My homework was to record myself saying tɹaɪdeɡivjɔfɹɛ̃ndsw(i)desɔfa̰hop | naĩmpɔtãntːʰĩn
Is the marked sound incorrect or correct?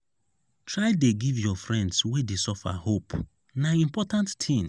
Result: incorrect: e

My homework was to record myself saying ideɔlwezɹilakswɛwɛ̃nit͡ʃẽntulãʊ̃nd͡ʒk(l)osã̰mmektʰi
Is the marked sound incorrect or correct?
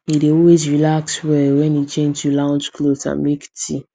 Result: correct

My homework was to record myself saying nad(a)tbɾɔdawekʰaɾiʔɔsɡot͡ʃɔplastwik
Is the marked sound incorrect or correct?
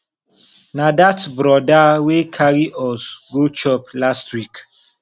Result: correct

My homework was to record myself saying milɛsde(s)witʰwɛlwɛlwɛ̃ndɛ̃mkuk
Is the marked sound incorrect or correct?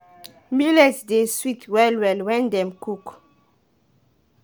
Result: correct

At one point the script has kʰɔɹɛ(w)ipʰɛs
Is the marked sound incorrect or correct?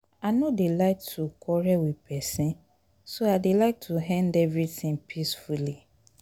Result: correct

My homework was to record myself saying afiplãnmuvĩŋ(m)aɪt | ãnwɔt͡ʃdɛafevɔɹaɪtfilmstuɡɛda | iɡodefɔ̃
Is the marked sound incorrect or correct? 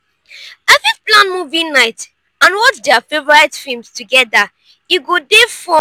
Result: incorrect: n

